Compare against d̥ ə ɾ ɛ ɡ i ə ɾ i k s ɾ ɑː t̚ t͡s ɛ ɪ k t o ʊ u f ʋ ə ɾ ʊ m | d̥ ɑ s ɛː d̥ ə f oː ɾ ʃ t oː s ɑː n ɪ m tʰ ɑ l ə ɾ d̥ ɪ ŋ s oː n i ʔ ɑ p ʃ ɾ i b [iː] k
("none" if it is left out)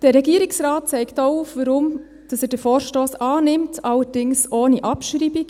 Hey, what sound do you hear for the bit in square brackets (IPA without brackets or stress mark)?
i